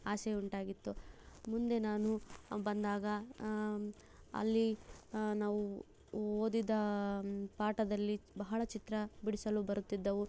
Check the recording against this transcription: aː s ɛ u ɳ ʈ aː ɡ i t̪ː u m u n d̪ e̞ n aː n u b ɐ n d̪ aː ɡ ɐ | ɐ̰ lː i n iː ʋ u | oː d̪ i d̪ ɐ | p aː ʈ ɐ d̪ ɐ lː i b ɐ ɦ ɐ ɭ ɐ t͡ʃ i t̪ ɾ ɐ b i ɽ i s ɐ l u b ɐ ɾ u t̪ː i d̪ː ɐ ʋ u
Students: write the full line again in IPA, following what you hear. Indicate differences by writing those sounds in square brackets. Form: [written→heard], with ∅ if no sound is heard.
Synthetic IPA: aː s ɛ u ɳ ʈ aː ɡ i t̪ː u m u n d̪ e̞ n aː n u b ɐ n d̪ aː ɡ ɐ | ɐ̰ lː i n [iː→aː] ʋ u | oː d̪ i d̪ ɐ | p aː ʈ ɐ d̪ ɐ lː i b ɐ ɦ ɐ ɭ ɐ t͡ʃ i t̪ ɾ ɐ b i ɽ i s ɐ l u b ɐ ɾ u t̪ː i d̪ː ɐ ʋ u